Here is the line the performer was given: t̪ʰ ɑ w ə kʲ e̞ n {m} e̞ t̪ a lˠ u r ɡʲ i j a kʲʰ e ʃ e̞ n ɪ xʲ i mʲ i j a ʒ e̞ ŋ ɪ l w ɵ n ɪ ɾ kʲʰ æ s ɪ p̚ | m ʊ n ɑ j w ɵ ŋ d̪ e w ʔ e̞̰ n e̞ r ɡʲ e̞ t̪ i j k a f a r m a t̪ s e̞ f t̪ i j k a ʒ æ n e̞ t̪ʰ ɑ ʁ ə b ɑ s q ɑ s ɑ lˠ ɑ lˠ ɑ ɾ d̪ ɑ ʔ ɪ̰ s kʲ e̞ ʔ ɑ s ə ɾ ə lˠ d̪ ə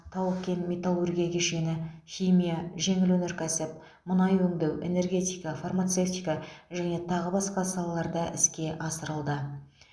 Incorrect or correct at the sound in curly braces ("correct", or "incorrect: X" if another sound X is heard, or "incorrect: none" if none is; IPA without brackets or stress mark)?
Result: correct